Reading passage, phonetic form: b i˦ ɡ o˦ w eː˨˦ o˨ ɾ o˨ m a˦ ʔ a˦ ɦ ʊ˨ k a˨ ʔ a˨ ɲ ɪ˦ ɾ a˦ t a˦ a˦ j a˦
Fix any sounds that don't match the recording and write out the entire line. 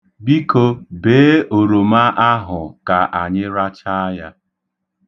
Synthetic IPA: b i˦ k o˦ b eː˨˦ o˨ ɾ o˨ m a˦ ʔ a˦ ɦ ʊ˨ k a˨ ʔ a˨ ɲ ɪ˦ ɾ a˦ t͡ʃ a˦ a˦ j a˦